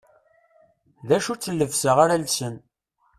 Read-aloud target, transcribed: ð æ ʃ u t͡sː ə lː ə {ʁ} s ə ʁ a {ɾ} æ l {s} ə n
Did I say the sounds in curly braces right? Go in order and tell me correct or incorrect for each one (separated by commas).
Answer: incorrect, correct, correct